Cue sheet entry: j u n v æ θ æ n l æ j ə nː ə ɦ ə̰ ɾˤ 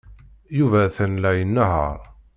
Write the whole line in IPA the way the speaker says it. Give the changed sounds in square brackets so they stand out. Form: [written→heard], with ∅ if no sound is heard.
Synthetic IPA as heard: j u [n→∅] v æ θ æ n l æ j ə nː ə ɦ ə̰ ɾˤ